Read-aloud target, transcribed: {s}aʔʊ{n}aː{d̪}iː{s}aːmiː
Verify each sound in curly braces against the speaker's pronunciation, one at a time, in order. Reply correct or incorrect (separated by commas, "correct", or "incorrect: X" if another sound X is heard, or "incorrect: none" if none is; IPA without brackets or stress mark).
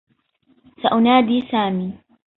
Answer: correct, correct, correct, correct